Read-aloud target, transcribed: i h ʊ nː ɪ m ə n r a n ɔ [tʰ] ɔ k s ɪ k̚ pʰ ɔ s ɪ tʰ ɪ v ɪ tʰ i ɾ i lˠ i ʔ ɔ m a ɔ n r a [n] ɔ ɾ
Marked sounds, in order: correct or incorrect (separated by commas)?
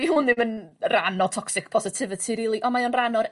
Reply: correct, correct